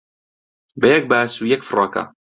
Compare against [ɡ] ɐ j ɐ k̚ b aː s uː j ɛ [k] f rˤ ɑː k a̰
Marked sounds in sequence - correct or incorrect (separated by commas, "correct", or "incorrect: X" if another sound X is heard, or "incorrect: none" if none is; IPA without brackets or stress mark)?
incorrect: b, correct